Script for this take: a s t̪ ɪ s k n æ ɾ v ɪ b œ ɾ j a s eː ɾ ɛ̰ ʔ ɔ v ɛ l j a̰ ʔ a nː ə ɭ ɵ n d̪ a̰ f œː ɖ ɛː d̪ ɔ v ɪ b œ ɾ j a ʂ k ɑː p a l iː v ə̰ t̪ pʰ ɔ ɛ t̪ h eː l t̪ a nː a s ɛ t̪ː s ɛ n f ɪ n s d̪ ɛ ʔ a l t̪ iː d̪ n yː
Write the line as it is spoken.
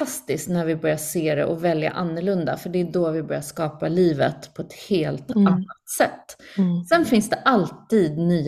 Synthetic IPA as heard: a s t̪ ɪ s k n æ ɾ v ɪ b œ ɾ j a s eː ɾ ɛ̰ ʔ ɔ v ɛ l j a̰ ʔ a nː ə ɭ ɵ n d̪ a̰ f œ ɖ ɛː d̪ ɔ v ɪ b œ ɾ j a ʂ k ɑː p a l iː v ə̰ t̪ pʰ ɔ ɛ t̪ h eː l t̪ a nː a s ɛ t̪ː s ɛ n f ɪ n s d̪ ɛ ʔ a l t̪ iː d̪ n yː